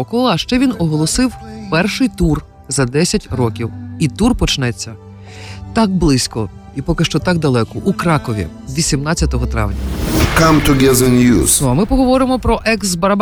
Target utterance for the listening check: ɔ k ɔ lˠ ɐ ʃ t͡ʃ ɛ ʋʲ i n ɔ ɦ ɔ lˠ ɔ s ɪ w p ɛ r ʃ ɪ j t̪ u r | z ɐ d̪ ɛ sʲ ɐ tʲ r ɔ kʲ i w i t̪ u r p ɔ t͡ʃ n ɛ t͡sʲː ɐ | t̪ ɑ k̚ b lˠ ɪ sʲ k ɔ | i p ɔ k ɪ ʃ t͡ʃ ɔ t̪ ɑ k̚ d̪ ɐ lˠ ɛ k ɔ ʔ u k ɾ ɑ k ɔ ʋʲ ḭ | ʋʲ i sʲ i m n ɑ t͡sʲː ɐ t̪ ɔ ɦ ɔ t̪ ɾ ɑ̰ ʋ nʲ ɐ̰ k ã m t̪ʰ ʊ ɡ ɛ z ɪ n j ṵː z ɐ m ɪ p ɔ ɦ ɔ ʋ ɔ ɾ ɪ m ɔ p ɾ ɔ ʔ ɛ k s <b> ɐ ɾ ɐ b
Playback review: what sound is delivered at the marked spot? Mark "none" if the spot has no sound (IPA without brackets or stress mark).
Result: b